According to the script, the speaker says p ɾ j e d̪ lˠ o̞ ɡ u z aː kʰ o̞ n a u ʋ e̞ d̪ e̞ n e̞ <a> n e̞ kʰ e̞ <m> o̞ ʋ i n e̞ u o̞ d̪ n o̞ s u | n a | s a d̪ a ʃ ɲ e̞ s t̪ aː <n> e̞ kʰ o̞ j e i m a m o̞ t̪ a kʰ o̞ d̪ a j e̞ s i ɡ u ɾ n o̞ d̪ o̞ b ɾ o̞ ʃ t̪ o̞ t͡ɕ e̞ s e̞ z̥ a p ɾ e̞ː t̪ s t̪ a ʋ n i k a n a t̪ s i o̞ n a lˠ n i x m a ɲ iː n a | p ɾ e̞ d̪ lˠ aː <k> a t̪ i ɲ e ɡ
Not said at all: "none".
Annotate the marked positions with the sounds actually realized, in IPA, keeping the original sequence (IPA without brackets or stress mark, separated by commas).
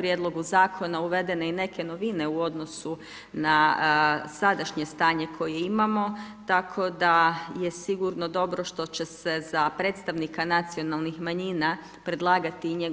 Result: i, n, ɲ, ɡ